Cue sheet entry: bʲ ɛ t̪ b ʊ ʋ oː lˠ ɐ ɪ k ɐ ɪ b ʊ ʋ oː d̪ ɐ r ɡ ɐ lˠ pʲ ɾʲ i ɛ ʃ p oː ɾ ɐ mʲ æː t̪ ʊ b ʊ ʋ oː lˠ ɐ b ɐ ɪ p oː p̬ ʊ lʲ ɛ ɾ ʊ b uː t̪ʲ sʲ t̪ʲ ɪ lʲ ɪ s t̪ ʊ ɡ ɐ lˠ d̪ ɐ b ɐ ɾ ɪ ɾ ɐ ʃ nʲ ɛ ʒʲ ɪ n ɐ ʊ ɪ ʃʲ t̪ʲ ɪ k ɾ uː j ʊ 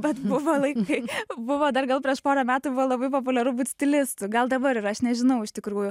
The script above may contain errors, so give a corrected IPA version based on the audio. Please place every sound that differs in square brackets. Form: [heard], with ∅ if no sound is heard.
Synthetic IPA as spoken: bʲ ɛ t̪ b ʊ ʋ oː lˠ ɐ ɪ k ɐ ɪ b ʊ ʋ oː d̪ ɐ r ɡ ɐ lˠ pʲ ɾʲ i ɛ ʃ p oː ɾ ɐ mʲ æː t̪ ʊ b ʊ ʋ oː lˠ ɐ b ɐ ɪ p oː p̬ ʊ lʲ ɛ ɾ ʊ b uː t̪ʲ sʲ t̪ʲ ɪ lʲ ɪ s t̪ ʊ ɡ ɐ lˠ d̪ ɐ b ɐ ɾ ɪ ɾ ɐ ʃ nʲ ɛ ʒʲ ɪ n ɐ ʊ ɪ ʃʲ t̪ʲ ɪ k ɾ uː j ʊ